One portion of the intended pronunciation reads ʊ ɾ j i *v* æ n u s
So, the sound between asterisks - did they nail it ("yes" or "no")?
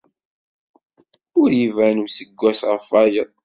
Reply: yes